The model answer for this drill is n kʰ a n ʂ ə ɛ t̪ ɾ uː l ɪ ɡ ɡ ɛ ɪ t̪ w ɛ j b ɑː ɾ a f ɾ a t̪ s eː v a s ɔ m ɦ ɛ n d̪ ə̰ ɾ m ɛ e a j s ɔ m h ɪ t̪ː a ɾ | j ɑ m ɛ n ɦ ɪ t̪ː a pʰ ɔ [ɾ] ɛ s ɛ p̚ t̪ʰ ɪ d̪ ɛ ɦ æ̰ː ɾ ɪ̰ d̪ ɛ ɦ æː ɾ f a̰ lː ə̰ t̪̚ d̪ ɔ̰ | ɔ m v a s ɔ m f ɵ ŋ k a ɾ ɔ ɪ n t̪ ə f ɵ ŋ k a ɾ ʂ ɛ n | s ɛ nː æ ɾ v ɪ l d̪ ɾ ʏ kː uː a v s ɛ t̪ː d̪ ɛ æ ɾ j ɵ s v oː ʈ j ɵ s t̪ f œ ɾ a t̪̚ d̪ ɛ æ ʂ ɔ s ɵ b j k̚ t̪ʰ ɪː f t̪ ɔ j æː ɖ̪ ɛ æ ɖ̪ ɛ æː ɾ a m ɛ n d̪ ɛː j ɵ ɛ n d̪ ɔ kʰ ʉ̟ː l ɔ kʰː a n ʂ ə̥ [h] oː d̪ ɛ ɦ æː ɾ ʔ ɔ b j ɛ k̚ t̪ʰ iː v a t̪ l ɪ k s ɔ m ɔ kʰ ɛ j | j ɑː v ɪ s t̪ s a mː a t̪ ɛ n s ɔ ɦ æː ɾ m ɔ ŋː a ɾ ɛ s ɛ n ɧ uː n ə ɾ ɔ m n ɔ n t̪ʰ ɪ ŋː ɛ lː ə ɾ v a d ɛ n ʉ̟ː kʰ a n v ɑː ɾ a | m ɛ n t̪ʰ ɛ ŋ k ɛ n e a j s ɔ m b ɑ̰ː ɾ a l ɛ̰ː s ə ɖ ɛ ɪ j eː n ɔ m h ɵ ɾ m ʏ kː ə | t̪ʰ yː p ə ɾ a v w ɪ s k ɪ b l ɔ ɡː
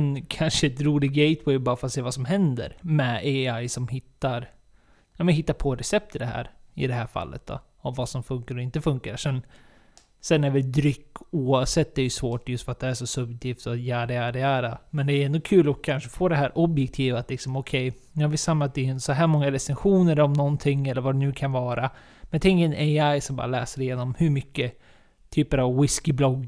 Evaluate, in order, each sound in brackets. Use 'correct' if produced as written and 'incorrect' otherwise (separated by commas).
correct, incorrect